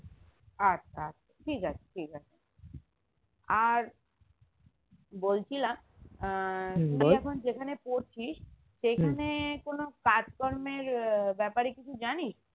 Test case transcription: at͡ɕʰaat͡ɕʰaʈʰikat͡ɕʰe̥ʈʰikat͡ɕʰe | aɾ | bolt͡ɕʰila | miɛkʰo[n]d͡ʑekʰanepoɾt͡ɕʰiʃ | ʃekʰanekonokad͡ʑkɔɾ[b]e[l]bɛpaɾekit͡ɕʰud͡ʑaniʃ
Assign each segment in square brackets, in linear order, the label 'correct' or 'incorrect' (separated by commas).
correct, incorrect, incorrect